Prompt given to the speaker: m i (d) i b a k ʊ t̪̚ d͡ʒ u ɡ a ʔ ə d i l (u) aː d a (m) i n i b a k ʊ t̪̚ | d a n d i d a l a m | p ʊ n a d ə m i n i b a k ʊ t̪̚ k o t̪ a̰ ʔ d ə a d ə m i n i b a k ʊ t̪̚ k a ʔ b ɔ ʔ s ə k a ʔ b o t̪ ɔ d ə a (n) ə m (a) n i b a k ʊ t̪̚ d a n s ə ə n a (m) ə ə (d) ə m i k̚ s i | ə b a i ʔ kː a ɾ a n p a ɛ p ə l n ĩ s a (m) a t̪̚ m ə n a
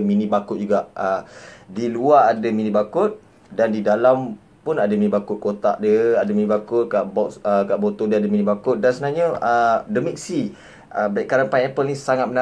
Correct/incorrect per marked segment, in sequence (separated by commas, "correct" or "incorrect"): incorrect, correct, correct, incorrect, incorrect, incorrect, correct, incorrect